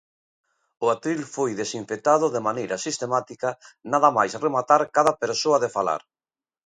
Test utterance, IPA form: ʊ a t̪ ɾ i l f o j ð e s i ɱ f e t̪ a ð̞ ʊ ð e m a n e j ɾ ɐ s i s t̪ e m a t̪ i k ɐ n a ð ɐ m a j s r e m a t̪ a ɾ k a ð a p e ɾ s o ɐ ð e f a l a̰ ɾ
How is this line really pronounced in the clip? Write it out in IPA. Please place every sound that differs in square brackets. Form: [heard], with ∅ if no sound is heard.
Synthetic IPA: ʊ a t̪ ɾ i l f o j ð e s i ɱ f e t̪ a ð̞ ʊ ð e m a n e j ɾ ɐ s i s t̪ e m a t̪ i k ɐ n a ð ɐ m a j s r e m a t̪ a ɾ k a ð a p e ɾ s o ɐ ð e f a l a̰ ɾ

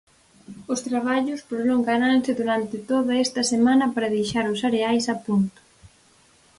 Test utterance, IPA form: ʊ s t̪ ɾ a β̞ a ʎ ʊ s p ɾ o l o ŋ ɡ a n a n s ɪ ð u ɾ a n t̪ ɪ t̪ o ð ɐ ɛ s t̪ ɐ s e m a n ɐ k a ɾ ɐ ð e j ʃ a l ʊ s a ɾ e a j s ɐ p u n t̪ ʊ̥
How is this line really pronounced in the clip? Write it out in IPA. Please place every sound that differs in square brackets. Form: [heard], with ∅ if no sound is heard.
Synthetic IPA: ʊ s t̪ ɾ a β̞ a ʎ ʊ s p ɾ o l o ŋ ɡ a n a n s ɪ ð u ɾ a n t̪ ɪ t̪ o ð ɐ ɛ s t̪ ɐ s e m a n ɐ [p] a ɾ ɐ ð e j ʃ a [ɾ] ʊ s a ɾ e a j s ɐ p u n t̪ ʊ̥

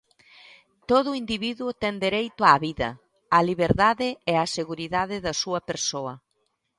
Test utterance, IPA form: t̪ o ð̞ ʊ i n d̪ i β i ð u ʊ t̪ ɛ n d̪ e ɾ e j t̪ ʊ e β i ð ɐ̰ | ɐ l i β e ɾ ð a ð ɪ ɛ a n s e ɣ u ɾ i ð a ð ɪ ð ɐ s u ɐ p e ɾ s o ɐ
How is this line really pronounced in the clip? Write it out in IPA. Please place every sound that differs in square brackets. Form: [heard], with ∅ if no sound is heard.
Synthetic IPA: t̪ o ð̞ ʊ i n d̪ i β i ð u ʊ t̪ ɛ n d̪ e ɾ e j t̪ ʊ [a] β i ð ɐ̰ | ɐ l i β e ɾ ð a ð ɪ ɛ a [∅] s e ɣ u ɾ i ð a ð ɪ ð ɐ s u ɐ p e ɾ s o ɐ

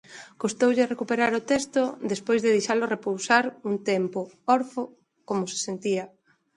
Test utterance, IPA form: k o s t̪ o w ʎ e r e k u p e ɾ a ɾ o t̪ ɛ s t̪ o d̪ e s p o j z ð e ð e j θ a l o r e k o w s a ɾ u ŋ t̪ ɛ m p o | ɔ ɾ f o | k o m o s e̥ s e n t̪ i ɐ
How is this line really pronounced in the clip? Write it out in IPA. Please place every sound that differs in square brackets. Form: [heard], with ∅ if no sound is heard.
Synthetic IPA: k o s t̪ o w ʎ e r e k u p e ɾ a ɾ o t̪ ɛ s t̪ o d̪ e s p o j z ð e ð e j [ʃ] a l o r e [p] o w s a ɾ u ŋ t̪ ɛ m p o | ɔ ɾ f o | k o m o s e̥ s e n t̪ i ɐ

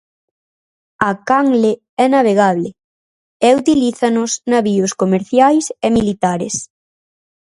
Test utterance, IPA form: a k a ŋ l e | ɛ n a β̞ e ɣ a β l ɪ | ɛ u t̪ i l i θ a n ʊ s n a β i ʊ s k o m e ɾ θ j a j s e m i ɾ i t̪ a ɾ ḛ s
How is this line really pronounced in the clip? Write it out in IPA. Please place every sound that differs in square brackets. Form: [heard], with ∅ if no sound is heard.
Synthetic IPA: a k a ŋ l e | ɛ n a β̞ e ɣ a β l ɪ | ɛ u t̪ i l i θ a n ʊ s n a β i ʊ s k o m e ɾ θ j a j s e m i [l] i t̪ a ɾ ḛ s

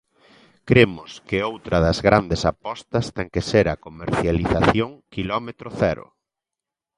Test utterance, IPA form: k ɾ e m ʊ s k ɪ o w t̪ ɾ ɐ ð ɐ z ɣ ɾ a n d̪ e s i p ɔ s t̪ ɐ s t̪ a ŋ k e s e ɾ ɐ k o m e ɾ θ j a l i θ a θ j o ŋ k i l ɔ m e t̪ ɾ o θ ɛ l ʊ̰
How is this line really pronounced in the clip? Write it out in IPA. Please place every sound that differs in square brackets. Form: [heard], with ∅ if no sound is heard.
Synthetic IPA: k ɾ e m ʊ s k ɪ o w t̪ ɾ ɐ ð ɐ z ɣ ɾ a n d̪ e s [a] p ɔ s t̪ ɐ s t̪ [ɛ] ŋ k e s e ɾ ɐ k o m e ɾ θ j a l i θ a θ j o ŋ k i l ɔ m e t̪ ɾ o θ ɛ [ɾ] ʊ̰

